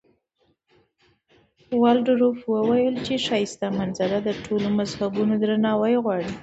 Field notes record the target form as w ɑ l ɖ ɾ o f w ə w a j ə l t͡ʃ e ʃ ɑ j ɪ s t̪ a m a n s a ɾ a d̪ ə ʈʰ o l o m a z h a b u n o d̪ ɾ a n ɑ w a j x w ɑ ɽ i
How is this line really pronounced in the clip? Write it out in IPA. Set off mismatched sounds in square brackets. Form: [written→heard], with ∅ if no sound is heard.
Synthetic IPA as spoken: w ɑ l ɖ ɾ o f w ə w a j ə l t͡ʃ e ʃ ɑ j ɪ s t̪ a m a n [s→z] a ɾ a d̪ ə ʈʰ o l o m a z h a b u n o d̪ ɾ a n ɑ w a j [x→ɣ] w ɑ ɽ i